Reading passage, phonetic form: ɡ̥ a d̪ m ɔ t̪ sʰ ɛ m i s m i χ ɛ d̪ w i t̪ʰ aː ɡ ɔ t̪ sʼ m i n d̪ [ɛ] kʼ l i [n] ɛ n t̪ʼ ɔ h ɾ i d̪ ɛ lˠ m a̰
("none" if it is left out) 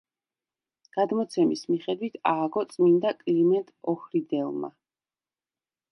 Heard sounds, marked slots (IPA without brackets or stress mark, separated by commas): a, m